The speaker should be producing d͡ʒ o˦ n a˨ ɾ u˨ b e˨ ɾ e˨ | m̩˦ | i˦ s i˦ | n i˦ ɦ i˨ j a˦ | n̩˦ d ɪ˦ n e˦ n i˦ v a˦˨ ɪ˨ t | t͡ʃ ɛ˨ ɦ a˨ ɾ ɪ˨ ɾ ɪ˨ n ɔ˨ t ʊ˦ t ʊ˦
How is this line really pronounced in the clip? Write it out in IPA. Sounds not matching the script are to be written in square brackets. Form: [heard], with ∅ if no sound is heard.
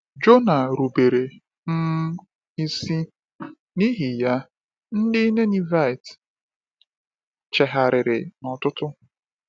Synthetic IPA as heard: d͡ʒ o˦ n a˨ ɾ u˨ b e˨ ɾ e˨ | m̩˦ | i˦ s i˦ | n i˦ ɦ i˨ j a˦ | n̩˦ d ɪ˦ n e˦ n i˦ v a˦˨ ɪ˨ t | t͡ʃ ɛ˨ ɦ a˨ ɾ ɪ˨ ɾ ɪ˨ n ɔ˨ t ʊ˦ t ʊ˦